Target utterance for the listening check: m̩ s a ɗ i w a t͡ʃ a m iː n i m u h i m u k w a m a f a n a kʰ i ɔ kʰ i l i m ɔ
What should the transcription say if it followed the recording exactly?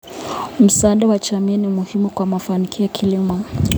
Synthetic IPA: m̩ s a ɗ a w a t͡ʃ a m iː n i m u h i m u k w a m a f a n i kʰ i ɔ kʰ i l i m ɔ